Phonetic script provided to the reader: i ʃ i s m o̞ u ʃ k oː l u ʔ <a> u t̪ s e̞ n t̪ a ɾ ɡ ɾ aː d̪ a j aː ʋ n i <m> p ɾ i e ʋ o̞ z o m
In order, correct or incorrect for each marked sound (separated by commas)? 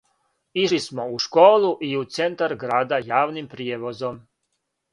incorrect, correct